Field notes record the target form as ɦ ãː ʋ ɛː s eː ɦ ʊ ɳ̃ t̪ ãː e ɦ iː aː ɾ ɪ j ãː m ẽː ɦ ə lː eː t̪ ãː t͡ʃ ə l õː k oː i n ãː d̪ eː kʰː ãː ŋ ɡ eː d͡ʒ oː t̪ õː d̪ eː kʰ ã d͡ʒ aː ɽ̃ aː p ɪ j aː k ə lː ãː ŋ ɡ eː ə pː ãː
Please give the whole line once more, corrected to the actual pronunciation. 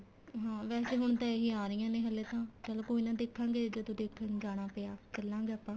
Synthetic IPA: ɦ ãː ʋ ɛː s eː ɦ ʊ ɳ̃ t̪ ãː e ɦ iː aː ɾ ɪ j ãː n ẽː ɦ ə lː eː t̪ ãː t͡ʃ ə l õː k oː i n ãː d̪ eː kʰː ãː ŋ ɡ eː d͡ʒ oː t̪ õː d̪ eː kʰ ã d͡ʒ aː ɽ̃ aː p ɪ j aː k ə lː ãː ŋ ɡ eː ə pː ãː

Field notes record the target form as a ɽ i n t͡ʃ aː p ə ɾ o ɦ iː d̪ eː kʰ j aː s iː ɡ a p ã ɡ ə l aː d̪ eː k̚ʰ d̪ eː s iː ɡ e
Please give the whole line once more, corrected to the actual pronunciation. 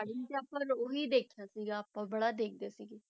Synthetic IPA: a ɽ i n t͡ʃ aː p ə ɾ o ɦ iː d̪ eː kʰ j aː s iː ɡ a p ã b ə ɽ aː d̪ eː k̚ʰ d̪ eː s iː ɡ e

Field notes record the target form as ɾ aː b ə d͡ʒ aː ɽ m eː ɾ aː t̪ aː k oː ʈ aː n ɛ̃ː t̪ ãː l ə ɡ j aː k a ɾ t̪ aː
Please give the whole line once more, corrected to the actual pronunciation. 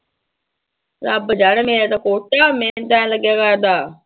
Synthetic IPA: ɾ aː b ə d͡ʒ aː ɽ m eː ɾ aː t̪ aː k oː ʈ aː m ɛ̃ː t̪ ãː l ə ɡ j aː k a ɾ d̪ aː

